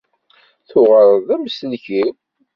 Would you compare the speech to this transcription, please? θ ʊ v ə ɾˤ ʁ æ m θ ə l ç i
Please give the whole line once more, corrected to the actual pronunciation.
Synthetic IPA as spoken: θ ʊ ʁ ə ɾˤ ð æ m s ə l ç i

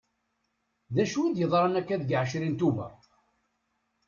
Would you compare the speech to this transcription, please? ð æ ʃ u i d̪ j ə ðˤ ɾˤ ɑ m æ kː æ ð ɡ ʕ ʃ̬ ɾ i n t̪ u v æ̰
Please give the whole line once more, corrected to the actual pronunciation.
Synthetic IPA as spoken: ð æ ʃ u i d̪ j ə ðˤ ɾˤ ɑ n æ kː æ ð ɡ ʕ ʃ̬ ɾ i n t̪ u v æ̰

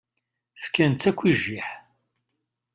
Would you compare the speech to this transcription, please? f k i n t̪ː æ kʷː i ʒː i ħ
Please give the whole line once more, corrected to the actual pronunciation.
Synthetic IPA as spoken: f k æ n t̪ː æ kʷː i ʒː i ħ

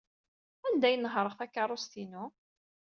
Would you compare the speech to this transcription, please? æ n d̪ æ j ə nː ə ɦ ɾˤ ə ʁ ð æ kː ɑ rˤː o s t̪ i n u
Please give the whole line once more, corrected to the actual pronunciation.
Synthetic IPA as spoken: æ n d̪ æ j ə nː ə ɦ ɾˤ ə ʁ θ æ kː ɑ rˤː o s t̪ i n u

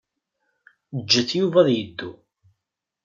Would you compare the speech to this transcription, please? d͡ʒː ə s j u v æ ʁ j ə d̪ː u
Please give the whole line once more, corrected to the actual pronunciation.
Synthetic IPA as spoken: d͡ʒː ə θ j u v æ ð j ə d̪ː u

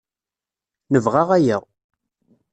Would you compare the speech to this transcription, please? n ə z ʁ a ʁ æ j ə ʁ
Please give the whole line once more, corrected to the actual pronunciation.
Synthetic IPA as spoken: n ə v ʁ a ʁ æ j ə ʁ

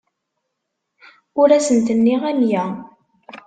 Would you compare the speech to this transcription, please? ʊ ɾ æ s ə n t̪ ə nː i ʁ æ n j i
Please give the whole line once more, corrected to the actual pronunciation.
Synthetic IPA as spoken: ʊ ɾ æ s ə n t̪ ə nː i ʁ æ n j æ

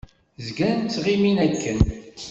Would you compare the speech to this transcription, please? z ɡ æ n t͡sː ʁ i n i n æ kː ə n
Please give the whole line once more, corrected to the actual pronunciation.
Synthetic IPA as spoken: z ɡ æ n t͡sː ʁ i m i n æ kː ə n

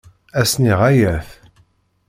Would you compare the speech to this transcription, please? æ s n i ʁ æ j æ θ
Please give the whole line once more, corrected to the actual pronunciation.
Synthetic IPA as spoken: æ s n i ʁ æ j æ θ

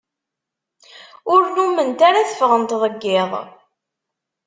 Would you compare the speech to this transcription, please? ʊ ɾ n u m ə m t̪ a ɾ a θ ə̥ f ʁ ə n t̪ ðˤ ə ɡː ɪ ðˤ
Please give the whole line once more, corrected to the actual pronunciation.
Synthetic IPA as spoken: ʊ ɾ n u m ə n t̪ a ɾ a θ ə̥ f ʁ ə n t̪ ðˤ ə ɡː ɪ ðˤ

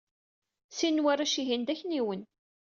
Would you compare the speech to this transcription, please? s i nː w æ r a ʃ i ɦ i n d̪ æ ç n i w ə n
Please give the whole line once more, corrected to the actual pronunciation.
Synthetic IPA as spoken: s i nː w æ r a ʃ i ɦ i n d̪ æ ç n i w ə n

